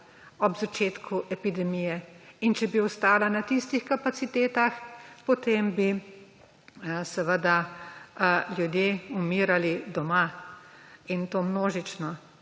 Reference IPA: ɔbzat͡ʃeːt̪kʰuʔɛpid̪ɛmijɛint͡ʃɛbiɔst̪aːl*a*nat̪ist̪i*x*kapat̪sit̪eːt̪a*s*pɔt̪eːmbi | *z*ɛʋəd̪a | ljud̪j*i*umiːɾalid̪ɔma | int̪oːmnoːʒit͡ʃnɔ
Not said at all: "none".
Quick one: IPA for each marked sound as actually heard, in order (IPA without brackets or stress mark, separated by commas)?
a, x, x, s, e